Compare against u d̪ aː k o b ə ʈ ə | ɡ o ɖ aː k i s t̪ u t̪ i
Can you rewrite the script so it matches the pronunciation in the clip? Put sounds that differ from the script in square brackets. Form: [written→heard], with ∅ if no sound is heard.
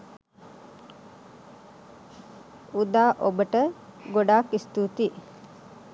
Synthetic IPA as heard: u d̪ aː [k→ʔ] o b ə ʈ ə | ɡ o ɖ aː k i s t̪ u t̪ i